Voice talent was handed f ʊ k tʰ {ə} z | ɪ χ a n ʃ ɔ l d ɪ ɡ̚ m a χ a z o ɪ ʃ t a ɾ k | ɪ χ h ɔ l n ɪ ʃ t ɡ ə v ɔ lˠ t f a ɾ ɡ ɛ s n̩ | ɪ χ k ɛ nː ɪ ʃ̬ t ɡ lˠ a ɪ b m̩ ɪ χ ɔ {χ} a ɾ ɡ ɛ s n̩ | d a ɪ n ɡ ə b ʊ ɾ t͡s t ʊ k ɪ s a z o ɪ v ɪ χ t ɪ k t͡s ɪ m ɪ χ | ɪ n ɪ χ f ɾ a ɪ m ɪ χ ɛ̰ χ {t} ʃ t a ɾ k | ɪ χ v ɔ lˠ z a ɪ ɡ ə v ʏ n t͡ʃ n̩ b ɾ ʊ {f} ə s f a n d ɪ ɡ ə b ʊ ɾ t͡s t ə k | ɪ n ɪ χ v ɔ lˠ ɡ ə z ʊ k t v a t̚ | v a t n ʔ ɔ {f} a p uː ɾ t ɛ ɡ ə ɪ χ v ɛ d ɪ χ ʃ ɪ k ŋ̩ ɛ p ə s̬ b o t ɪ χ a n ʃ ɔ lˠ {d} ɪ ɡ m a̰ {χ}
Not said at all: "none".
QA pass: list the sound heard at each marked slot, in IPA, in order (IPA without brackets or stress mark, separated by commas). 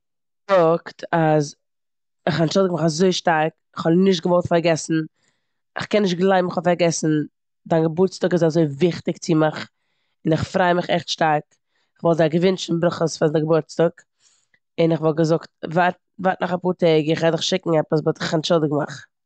a, f, t, χ, χ, d, χ